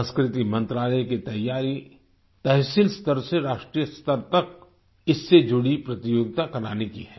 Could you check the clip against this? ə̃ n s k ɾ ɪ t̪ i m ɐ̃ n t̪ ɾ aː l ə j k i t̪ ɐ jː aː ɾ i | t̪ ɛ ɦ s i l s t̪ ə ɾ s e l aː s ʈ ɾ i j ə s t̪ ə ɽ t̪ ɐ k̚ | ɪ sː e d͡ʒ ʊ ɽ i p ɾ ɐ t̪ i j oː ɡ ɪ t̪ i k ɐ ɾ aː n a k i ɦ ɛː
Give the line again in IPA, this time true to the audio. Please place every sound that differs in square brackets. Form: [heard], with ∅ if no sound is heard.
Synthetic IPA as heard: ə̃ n s k ɾ ɪ t̪ i m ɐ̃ n t̪ ɾ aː l ə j k i t̪ ɐ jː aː ɾ i | t̪ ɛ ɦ s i l s t̪ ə ɾ s e [ɾ] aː [ʃ] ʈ ɾ i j ə s t̪ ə [ɾ] t̪ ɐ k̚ | ɪ sː e d͡ʒ ʊ ɽ i p ɾ ɐ t̪ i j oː ɡ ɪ t̪ [a] k ɐ ɾ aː n [e] k i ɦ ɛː

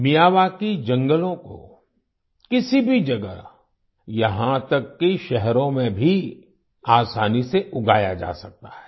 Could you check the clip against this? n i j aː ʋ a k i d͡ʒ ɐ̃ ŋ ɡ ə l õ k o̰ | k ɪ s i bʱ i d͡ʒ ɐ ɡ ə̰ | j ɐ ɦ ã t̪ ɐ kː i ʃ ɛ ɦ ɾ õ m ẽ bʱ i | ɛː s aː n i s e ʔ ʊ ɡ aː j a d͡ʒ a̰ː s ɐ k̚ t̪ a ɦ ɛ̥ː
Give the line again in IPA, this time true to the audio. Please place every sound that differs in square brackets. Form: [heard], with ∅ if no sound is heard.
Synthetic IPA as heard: [m] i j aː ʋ a k i d͡ʒ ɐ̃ ŋ ɡ ə l õ k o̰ | k ɪ s i bʱ i d͡ʒ ɐ ɡ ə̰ | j ɐ ɦ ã t̪ ɐ kː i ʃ ɛ ɦ ɾ õ m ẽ bʱ i | [aː] s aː n i s e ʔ ʊ ɡ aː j a d͡ʒ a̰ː s ɐ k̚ t̪ a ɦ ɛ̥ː

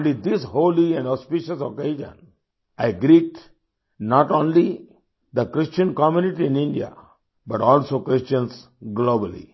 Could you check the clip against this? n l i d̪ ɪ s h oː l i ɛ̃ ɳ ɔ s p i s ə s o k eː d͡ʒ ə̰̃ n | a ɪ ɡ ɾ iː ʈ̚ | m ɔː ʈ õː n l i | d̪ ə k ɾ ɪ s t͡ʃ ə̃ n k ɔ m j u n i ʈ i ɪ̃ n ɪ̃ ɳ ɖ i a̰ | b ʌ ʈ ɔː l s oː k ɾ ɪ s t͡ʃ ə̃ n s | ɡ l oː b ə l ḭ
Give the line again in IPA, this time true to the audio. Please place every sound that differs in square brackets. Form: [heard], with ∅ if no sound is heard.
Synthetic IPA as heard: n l i d̪ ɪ s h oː l i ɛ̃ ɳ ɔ s p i [ʃ] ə s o k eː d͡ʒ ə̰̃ n | a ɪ ɡ ɾ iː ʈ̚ | [n] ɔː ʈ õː n l i | d̪ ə k ɾ ɪ s t͡ʃ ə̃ n k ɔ m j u n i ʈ i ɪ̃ n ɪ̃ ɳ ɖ i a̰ | b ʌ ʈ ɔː l s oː k ɾ ɪ s t͡ʃ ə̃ n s | ɡ l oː b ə l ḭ

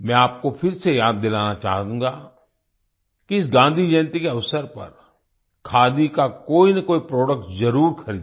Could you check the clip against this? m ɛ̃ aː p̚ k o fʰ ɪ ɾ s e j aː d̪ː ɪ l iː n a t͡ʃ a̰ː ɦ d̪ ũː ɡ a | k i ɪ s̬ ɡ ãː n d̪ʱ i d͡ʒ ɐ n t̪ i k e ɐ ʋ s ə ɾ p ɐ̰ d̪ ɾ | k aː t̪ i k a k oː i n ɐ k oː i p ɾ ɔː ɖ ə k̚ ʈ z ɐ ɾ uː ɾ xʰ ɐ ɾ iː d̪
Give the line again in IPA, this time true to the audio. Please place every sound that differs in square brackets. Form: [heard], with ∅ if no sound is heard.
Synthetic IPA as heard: m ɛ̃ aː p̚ k o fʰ ɪ ɾ s e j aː d̪ː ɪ l [aː] n a t͡ʃ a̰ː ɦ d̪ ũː ɡ a | k i ɪ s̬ ɡ ãː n d̪ʱ i d͡ʒ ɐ n t̪ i k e ɐ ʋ s ə ɾ p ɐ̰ [∅] ɾ | [kʰ] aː [d̪] i k a k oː i n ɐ k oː i p ɾ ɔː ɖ ə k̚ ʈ z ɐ ɾ uː ɾ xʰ ɐ ɾ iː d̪

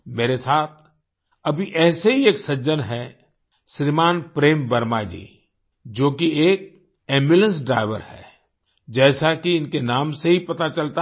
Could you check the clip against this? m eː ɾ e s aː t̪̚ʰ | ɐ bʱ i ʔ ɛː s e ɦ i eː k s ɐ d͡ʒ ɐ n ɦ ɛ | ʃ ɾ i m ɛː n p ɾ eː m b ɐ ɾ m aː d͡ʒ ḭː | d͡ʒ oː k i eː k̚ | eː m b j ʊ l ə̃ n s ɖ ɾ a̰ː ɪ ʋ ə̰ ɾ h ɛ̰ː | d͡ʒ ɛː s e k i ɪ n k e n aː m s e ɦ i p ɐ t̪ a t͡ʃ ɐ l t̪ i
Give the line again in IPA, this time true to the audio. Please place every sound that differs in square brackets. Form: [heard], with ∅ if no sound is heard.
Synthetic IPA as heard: m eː ɾ e s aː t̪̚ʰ | ɐ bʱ i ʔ ɛː s e ɦ i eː k s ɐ d͡ʒ [ə] n ɦ ɛ | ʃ ɾ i m [aː] n p ɾ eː m b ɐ ɾ m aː d͡ʒ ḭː | d͡ʒ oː k i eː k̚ | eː m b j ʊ l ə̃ n s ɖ ɾ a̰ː ɪ ʋ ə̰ ɾ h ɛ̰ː | d͡ʒ ɛː s [a] k i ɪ n k e n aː m s e ɦ i p ɐ t̪ a t͡ʃ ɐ l t̪ [a]

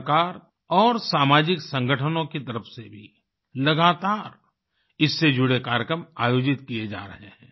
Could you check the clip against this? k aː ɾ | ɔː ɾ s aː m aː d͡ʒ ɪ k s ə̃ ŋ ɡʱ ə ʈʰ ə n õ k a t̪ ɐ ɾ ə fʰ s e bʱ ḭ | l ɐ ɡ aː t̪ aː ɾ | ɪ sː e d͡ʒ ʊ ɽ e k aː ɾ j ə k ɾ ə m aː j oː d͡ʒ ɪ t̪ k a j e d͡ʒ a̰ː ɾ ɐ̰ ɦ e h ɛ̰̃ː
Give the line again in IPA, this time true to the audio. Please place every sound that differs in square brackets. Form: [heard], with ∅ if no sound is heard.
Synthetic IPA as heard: k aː ɾ | ɔː ɾ s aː m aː d͡ʒ ɪ k s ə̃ ŋ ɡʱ ə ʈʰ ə n õ k [i] t̪ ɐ ɾ ə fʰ s e bʱ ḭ | l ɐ ɡ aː t̪ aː ɾ | ɪ sː e d͡ʒ ʊ ɽ e k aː ɾ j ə k ɾ ə m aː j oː d͡ʒ ɪ t̪ k [i] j e d͡ʒ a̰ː ɾ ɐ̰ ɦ e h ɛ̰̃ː

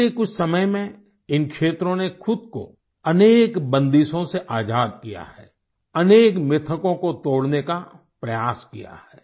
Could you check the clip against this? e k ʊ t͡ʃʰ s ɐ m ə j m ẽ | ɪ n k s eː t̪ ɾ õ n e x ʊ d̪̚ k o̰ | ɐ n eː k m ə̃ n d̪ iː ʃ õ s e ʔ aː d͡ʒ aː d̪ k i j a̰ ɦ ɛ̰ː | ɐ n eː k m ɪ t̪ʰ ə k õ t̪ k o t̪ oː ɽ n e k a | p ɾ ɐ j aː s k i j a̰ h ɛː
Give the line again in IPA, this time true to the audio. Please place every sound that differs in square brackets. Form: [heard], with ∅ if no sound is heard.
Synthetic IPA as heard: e k ʊ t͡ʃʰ s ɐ m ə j m ẽ | ɪ n k [ʃ] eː t̪ ɾ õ n e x ʊ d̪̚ k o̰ | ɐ n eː k [b] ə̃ n d̪ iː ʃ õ s e ʔ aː d͡ʒ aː d̪ k i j a̰ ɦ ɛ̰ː | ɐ n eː k m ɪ t̪ʰ ə k õ [∅] k o t̪ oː ɽ n e k a | p ɾ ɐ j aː s k i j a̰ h ɛː

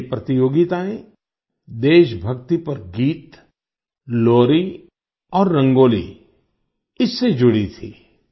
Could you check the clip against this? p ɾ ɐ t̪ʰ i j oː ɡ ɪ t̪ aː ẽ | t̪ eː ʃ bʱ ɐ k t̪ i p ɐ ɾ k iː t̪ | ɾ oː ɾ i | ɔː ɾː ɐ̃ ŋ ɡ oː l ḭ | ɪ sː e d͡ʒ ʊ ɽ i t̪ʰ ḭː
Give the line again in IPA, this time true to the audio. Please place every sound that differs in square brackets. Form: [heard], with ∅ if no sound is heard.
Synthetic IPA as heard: p ɾ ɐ [t̪] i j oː ɡ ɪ t̪ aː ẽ | [d̪] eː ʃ bʱ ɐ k t̪ i p ɐ ɾ [ɡ] iː t̪ | [l] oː ɾ i | ɔː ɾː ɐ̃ ŋ ɡ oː l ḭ | ɪ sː e d͡ʒ ʊ ɽ i t̪ʰ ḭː

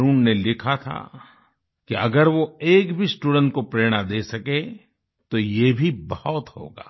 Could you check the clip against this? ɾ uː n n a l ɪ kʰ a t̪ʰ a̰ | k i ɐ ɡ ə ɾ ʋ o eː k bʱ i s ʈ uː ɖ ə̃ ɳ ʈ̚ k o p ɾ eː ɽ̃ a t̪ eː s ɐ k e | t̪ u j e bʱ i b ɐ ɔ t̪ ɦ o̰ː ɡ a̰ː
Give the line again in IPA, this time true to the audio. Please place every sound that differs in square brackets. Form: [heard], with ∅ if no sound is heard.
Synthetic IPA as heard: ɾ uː n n [e] l ɪ kʰ a t̪ʰ a̰ | k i ɐ ɡ ə ɾ ʋ o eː k bʱ i s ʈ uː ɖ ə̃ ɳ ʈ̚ k o p ɾ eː ɽ̃ a [d̪] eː s ɐ k e | t̪ [o] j e bʱ i b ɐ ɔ t̪ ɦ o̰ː ɡ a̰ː

